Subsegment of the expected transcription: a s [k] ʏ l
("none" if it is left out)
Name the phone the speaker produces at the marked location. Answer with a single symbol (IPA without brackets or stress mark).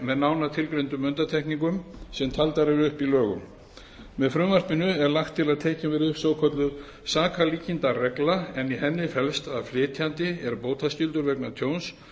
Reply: c